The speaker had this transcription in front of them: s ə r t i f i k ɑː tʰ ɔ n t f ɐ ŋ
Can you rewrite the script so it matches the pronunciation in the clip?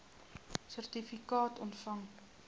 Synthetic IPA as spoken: s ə r t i f i k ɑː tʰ ɔ n t f ɐ ŋ